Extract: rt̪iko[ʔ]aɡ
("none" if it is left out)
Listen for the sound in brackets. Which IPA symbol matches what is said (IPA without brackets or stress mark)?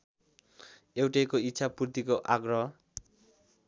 ʔ